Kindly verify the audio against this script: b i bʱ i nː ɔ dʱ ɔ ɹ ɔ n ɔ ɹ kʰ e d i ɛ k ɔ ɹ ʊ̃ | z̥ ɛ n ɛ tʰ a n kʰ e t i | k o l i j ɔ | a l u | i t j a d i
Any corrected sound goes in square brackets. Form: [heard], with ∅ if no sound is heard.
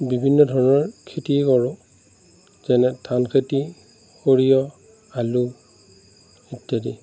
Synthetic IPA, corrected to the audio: b i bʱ i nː ɔ dʱ ɔ ɹ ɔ n ɔ ɹ kʰ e [t] i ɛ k ɔ ɹ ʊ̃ | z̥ ɛ n ɛ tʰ a n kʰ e t i | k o [ɹ] i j ɔ | a l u | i t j a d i